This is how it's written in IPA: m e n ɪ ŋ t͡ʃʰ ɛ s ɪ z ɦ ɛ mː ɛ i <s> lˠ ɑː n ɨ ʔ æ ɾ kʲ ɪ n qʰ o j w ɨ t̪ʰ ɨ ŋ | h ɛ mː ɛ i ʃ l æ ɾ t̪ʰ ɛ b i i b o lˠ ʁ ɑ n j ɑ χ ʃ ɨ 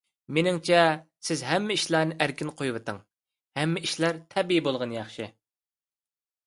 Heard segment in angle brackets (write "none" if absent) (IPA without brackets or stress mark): ʃ